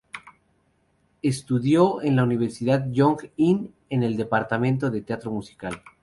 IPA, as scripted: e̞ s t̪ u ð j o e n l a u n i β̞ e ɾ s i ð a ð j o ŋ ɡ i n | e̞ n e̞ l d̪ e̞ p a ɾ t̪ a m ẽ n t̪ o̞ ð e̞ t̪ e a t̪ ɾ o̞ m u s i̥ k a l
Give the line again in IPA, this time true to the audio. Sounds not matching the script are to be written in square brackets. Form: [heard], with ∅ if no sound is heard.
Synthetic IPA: e̞ s t̪ u ð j o e n l a u n i β̞ e ɾ s i ð a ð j o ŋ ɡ i n | e̞ n e̞ l d̪ e̞ p a ɾ t̪ a m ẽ n t̪ o̞ ð e̞ t̪ e a t̪ ɾ o̞ m u s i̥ k a l